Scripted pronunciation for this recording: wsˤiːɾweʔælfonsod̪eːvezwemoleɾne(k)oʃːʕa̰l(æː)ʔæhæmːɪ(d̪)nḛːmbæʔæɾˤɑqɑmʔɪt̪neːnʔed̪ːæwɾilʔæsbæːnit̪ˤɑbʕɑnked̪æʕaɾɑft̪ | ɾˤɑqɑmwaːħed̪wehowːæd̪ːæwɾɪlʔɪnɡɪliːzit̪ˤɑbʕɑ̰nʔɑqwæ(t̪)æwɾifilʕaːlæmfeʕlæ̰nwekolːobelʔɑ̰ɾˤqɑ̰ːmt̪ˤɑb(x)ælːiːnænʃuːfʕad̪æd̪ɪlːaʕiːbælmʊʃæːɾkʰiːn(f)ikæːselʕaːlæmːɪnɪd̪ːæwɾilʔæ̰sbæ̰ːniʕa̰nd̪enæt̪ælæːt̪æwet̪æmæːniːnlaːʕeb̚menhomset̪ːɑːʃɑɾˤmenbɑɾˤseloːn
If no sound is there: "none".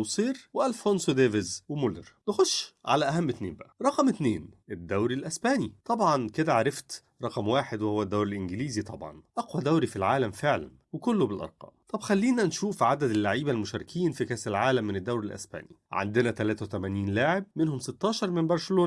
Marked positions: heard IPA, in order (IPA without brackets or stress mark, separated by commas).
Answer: x, æ, t̪, d̪, x, f